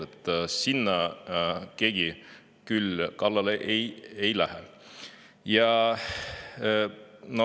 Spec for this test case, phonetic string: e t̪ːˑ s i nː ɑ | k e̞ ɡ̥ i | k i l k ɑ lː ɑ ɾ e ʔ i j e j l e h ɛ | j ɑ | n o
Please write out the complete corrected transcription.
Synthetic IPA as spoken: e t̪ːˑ s i nː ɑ | k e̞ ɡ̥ i | k y l k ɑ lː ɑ l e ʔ e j e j l æ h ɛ | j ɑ | n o